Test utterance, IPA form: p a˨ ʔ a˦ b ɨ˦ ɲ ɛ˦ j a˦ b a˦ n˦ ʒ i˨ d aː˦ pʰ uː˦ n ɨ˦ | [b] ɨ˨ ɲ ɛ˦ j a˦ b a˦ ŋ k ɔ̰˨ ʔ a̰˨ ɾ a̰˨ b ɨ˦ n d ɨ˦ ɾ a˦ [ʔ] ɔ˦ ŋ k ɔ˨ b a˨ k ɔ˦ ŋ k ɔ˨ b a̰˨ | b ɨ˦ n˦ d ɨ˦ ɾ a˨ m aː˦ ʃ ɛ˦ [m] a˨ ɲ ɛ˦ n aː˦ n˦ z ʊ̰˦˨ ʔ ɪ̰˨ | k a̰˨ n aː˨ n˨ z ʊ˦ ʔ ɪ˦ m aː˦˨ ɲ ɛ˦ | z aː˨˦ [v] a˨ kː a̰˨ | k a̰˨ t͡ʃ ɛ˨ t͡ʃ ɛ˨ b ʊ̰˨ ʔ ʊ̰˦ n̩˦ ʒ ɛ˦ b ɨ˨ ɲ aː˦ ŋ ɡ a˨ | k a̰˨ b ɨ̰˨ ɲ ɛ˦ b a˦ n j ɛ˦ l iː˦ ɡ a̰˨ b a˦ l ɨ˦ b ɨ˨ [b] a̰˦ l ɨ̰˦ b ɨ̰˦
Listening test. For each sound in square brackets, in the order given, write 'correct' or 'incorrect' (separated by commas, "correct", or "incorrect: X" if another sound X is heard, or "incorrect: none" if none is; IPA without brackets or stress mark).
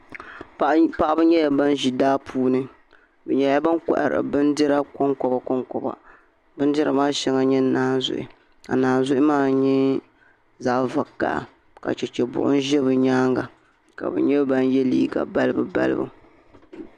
correct, incorrect: k, incorrect: ŋ, correct, correct